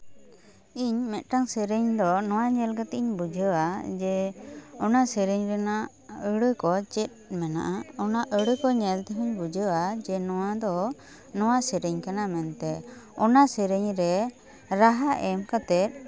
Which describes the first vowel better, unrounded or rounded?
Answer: unrounded